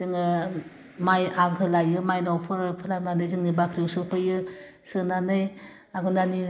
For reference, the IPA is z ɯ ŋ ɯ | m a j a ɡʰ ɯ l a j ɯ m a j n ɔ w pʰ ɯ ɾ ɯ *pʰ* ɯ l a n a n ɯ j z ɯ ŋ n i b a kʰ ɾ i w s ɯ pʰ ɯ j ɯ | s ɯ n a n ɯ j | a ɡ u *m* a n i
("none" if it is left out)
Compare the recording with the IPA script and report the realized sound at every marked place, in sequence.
pʰ, n

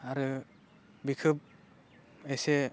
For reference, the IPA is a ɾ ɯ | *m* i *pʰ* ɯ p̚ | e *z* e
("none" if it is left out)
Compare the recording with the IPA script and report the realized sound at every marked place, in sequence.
b, kʰ, s

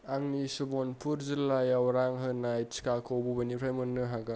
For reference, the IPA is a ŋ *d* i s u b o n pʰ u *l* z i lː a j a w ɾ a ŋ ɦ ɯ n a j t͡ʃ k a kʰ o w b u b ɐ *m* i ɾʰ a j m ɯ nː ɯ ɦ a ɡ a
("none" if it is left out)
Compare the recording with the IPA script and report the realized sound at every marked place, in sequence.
n, ɾ, n

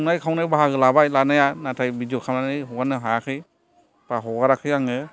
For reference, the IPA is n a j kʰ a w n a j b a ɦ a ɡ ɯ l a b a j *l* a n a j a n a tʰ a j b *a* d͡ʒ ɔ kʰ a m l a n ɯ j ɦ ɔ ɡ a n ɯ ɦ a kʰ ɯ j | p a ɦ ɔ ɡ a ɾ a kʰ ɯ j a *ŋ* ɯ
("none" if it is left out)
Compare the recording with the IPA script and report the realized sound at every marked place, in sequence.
l, i, ŋ

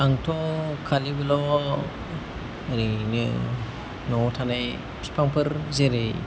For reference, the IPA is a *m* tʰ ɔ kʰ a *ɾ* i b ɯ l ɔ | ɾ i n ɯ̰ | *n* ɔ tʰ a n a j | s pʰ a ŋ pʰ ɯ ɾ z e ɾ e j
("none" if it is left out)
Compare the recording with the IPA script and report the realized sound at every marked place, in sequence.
ŋ, l, n

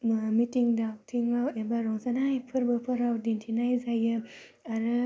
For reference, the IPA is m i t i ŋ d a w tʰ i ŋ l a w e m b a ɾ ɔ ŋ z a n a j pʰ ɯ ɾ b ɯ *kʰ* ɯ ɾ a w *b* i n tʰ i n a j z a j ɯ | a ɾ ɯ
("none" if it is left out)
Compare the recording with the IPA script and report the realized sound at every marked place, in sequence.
pʰ, d

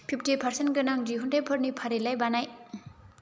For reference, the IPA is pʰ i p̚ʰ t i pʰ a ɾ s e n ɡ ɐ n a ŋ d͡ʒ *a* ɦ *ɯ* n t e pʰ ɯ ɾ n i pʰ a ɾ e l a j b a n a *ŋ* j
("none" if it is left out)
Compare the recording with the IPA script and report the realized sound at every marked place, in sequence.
i, u, none

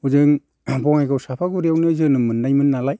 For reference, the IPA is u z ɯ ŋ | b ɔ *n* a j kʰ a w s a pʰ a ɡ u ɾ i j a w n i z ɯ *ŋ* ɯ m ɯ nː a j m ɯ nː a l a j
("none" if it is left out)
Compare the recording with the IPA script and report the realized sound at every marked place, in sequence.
ŋ, n

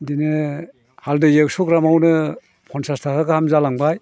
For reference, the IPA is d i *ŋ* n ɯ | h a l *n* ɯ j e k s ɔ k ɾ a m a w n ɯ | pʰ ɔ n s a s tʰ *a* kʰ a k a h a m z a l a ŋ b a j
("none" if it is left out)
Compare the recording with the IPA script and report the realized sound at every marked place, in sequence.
none, d, a

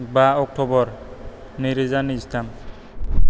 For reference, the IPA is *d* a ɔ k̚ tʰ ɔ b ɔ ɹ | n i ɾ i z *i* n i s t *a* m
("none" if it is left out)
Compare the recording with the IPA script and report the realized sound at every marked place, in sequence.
b, a, a

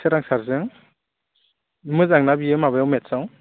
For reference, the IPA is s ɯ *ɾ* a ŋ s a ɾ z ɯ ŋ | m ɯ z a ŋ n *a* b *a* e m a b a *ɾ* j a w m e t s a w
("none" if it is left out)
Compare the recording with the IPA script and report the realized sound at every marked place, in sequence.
ɾ, a, i, none

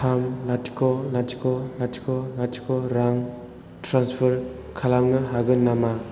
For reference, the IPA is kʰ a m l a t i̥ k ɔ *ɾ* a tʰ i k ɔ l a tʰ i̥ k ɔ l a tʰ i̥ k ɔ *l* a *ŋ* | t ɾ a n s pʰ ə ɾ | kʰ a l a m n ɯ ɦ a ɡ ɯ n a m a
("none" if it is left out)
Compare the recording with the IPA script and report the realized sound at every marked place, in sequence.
l, ɾ, ŋ

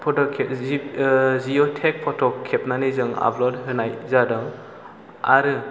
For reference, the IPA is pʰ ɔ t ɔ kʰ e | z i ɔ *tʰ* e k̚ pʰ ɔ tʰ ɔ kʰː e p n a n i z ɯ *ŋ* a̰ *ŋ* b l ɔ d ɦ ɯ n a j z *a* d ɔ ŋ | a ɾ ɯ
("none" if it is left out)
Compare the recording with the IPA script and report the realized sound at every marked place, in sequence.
tʰ, ŋ, none, a

